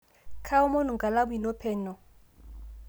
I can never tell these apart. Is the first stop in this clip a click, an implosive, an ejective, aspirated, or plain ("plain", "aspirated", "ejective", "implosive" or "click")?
aspirated